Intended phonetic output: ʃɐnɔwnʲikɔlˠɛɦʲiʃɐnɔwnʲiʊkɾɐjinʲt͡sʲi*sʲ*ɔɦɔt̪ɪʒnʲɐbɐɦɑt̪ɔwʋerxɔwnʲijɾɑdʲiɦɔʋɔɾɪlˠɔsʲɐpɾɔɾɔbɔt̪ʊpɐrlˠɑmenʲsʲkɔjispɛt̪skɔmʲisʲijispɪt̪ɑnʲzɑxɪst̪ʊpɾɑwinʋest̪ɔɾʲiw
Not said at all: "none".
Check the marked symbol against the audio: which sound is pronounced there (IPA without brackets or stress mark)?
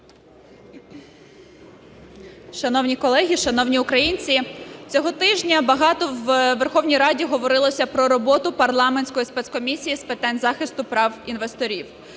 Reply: t͡sʲ